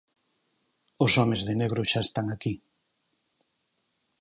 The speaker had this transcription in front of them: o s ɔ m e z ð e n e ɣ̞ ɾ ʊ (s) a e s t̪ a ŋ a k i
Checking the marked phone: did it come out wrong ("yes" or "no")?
yes